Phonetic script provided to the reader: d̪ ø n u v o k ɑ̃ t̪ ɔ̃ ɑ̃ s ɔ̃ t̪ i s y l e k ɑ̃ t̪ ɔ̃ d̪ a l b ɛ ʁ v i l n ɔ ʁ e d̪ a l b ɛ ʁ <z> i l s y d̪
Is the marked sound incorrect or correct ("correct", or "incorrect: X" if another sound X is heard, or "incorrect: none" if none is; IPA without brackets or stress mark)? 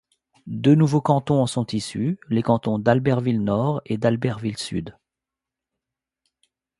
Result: incorrect: v